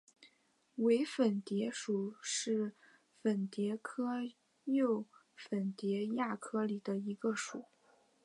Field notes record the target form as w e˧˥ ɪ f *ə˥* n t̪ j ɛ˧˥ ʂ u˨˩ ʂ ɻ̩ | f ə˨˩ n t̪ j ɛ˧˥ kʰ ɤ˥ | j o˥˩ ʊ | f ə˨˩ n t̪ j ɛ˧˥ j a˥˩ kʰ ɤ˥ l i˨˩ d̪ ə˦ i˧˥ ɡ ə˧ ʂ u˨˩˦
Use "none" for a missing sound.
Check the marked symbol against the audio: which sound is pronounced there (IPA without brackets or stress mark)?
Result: ə˨˩